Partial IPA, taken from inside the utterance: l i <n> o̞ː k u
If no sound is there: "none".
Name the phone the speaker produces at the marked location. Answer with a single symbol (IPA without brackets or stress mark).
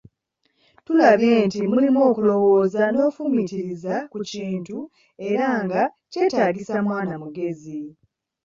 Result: m